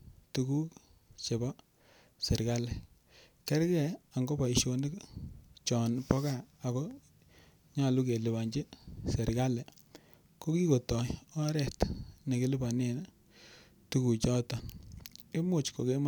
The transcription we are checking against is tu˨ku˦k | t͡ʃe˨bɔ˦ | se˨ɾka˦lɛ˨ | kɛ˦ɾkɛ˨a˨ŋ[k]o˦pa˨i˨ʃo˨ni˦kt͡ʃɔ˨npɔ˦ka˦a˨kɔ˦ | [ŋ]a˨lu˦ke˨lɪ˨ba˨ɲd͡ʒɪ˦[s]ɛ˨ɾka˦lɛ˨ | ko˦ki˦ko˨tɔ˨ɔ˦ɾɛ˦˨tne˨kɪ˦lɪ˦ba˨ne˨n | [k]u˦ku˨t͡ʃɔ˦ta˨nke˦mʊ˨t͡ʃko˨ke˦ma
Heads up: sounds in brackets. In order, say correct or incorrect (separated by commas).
incorrect, incorrect, correct, incorrect